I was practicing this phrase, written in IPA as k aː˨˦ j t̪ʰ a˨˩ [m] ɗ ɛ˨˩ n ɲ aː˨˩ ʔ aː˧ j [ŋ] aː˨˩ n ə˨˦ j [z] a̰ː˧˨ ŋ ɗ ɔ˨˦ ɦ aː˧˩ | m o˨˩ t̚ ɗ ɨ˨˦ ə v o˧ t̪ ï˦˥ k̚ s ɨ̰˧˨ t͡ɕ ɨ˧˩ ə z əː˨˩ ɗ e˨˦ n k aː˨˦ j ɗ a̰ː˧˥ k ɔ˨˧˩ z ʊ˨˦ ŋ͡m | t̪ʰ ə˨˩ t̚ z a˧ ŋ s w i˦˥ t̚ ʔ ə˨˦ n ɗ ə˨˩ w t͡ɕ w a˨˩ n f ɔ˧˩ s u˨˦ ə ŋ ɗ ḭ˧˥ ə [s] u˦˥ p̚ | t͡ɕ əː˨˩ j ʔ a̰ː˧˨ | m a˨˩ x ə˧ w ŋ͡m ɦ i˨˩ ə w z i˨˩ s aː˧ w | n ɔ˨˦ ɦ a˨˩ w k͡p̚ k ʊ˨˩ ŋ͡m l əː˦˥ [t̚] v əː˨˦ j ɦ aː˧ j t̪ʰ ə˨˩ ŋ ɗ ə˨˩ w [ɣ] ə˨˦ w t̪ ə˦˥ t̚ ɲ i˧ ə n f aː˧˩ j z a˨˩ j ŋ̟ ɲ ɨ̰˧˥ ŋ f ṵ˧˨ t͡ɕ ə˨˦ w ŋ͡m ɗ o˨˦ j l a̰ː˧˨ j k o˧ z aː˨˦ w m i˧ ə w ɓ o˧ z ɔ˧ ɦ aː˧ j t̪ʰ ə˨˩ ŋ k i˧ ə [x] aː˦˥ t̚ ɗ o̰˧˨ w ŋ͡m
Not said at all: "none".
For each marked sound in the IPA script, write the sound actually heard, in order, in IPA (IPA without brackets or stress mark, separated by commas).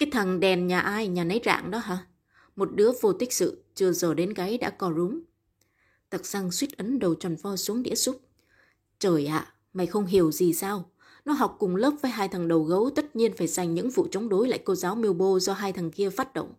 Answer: ŋ, ɲ, z, s, p̚, ɣ, f